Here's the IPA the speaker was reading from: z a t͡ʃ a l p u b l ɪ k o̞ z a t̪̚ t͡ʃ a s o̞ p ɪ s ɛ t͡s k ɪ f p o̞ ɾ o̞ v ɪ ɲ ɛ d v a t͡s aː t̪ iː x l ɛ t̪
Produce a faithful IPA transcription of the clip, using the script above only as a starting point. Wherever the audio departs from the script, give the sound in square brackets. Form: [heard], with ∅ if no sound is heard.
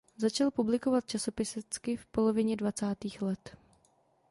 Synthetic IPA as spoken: z a t͡ʃ a l p u b l ɪ k o̞ [v] a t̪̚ t͡ʃ a s o̞ p ɪ s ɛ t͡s k ɪ f p o̞ [l] o̞ v ɪ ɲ ɛ d v a t͡s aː t̪ iː x l ɛ t̪